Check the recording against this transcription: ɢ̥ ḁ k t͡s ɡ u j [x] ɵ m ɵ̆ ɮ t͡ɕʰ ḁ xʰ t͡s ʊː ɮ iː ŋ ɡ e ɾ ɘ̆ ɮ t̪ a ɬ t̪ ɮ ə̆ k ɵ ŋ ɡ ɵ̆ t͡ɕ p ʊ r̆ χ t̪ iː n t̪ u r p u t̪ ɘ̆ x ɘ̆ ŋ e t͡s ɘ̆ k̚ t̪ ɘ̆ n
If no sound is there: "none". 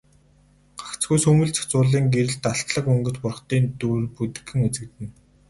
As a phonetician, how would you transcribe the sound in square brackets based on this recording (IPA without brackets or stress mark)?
s